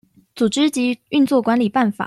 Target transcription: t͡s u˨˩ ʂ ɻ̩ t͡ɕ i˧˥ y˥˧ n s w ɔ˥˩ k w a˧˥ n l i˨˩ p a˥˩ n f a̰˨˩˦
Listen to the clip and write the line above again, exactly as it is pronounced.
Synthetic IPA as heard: t͡s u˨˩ ʈ͡ʂ ɻ̩ t͡ɕ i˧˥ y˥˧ n t͡s w ɔ˥˩ k w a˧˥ n l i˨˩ p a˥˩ n f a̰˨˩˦